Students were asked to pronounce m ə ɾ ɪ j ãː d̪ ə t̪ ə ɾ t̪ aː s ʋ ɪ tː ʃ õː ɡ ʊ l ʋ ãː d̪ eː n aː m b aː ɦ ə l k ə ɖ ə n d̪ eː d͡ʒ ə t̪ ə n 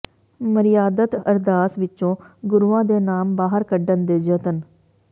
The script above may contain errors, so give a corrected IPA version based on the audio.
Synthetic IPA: m ə ɾ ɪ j aː d̪ ə t̪ ə ɾ d̪ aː s ʋ ɪ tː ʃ õː ɡ ʊ ɾ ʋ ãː d̪ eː n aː m b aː ɦ ə ɾ k ə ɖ ə n d̪ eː d͡ʒ ə t̪ ə n